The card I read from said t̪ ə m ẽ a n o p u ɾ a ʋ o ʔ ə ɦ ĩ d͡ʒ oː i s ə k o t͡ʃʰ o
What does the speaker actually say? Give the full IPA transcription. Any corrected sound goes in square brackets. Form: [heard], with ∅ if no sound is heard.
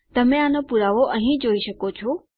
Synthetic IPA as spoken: t̪ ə m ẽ a n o p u ɾ a ʋ o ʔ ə ɦ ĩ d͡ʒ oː i [ʃ] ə k o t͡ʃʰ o

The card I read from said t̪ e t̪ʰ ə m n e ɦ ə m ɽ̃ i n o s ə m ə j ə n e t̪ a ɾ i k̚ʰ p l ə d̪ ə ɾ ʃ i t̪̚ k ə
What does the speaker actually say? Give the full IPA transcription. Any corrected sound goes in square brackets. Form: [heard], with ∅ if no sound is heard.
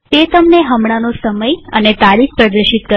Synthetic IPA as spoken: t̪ e [t̪] ə m n e ɦ ə m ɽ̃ [a] n o s ə m ə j ə n e t̪ a ɾ i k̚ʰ p [ɾ] ə d̪ ə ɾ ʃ i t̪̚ k ə

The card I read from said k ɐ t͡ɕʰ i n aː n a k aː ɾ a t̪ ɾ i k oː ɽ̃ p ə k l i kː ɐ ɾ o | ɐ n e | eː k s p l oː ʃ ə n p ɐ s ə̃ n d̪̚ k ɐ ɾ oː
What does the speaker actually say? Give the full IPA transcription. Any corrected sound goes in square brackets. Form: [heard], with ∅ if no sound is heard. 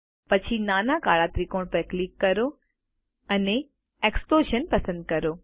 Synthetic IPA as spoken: [p] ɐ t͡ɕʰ i n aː n a k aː [ɭ] a t̪ ɾ i k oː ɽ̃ p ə k l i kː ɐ ɾ o | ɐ n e | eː k s p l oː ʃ ə n p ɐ s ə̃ n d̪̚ k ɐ ɾ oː

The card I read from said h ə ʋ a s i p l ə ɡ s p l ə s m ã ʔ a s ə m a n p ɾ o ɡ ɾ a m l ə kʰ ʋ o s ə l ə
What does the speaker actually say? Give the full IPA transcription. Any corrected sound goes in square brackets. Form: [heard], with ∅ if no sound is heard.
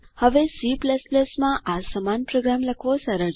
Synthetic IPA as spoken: h ə ʋ [e] s i p l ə [∅] s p l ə s m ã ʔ a s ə m a n p ɾ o ɡ ɾ a m l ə kʰ ʋ o s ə [ɾ] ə

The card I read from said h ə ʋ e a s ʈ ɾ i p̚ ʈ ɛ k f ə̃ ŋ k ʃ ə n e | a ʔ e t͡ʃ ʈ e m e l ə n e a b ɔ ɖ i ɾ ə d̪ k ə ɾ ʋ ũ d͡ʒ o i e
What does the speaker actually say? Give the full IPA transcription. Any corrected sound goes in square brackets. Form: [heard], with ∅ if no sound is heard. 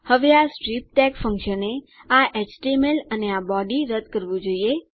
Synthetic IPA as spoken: h ə ʋ e a s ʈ ɾ i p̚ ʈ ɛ k f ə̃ ŋ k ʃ ə n e | a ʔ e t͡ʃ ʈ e m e l ə n e a b ɔ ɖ i ɾ ə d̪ k ə ɾ ʋ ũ d͡ʒ o i e

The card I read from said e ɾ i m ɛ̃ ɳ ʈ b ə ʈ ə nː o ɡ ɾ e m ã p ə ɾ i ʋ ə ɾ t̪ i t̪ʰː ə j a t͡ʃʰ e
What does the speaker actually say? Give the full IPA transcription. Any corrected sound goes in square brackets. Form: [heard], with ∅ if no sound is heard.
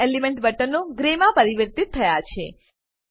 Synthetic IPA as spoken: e [l] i m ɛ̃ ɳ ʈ b ə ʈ ə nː o ɡ ɾ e m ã p ə ɾ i ʋ ə ɾ t̪ i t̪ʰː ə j a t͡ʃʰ e

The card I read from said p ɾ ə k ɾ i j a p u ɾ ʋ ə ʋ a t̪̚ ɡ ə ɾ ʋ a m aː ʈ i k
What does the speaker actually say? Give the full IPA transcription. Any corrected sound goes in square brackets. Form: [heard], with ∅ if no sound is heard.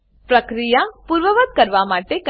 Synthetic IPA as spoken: p ɾ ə k ɾ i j a p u ɾ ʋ ə ʋ [ə] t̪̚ [k] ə ɾ ʋ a m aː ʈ [e] k

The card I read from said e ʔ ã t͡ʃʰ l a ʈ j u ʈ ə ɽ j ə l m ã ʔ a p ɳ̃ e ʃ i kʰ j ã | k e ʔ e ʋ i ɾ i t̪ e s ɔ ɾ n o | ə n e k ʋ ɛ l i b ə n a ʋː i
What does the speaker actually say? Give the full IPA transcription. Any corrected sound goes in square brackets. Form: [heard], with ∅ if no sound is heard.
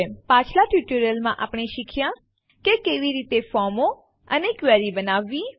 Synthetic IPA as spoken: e [p] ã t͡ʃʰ l a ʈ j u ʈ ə [ɾ] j ə l m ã ʔ a p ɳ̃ e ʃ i kʰ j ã | k e [k] e ʋ i ɾ i t̪ e [f] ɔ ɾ [m] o | ə n e k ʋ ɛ [ɾ] i b ə n a ʋː i

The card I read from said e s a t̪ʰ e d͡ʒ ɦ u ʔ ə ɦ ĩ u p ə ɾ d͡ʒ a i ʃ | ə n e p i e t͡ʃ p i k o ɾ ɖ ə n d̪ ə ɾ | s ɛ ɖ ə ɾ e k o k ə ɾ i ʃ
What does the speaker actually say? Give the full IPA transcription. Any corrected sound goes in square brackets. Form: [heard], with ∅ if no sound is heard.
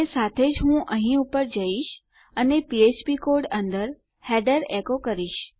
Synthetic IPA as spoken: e s a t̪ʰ e d͡ʒ ɦ [ũ] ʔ ə ɦ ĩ u p ə ɾ d͡ʒ [ə] i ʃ | ə n e p i e t͡ʃ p i k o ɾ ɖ ə n d̪ ə ɾ | [h] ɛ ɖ ə ɾ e k o k ə ɾ i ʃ

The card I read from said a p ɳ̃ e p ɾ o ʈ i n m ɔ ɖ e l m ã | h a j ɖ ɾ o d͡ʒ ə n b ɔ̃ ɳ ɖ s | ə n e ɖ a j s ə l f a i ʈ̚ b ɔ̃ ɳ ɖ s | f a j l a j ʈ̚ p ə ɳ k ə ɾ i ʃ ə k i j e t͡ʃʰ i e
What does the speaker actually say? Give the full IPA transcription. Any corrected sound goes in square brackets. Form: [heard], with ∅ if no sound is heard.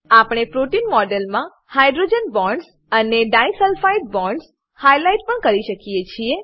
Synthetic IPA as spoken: a p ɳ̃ e p ɾ o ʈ i n m ɔ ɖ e l m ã | h a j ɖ ɾ o d͡ʒ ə n b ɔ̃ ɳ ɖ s | ə n e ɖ a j s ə l f a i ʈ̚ b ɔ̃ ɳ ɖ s | [h] a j l a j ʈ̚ p ə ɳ k ə ɾ i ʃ ə k i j e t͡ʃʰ i e

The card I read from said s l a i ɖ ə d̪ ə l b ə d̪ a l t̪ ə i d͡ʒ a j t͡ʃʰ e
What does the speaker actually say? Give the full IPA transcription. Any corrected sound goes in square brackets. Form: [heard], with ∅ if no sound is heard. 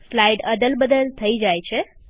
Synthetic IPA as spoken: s l a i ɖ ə d̪ ə l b ə d̪ [ə] l [t̪ʰ] ə i d͡ʒ a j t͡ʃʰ e

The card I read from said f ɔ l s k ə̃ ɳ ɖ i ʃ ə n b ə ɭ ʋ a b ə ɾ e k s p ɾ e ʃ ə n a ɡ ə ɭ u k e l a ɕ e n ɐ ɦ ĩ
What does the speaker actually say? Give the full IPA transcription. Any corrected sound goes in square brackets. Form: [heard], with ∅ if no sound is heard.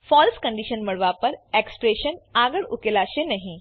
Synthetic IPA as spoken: f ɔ l s k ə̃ ɳ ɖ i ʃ ə n [m] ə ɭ ʋ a [p] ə ɾ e k s p ɾ e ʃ ə n a ɡ ə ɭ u k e l a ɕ e n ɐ ɦ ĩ

